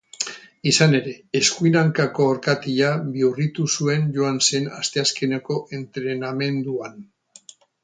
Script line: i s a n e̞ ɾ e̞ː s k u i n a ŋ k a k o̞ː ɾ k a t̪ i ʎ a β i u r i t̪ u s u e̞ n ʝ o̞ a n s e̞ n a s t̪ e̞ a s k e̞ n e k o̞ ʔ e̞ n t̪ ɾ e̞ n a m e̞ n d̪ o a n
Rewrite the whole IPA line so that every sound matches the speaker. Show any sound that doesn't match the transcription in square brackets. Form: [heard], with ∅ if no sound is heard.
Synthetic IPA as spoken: i s a n e̞ ɾ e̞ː s k u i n a ŋ k a k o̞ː ɾ k a t̪ i ʎ a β i u r i t̪ u s u e̞ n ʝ o̞ a n s e̞ n a s t̪ e̞ a s k e̞ n e k o̞ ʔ e̞ n t̪ ɾ e̞ n a m e̞ n d̪ [u] a n

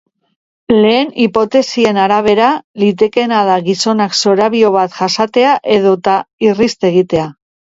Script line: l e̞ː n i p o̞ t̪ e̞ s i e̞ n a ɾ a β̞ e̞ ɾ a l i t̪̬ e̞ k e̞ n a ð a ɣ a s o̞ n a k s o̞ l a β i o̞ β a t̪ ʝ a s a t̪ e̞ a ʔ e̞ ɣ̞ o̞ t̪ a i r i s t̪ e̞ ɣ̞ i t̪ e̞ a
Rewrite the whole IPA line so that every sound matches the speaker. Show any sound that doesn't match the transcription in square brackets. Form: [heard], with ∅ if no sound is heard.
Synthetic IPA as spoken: l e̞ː n i p o̞ t̪ e̞ s i e̞ n a ɾ a β̞ e̞ ɾ a l i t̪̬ e̞ k e̞ n a ð a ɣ [i] s o̞ n a k s o̞ [ɾ] a β i o̞ β a t̪ ʝ a s a t̪ e̞ a ʔ e̞ [ð̞] o̞ t̪ a i r i s t̪ e̞ ɣ̞ i t̪ e̞ a

